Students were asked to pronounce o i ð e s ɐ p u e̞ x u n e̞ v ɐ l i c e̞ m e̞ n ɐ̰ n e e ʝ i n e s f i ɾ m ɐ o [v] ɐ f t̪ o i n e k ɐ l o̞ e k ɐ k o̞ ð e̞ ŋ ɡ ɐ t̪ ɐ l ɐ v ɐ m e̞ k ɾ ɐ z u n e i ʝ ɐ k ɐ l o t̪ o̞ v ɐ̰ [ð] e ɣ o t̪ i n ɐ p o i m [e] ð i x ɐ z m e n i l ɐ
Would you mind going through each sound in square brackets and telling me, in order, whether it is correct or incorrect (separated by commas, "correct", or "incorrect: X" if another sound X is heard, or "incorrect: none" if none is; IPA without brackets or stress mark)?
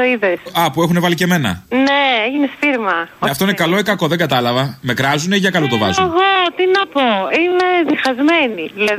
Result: incorrect: none, incorrect: z, correct